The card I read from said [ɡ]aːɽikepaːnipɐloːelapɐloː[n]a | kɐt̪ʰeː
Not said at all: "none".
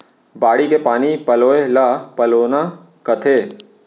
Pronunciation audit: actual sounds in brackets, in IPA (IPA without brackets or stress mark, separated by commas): b, n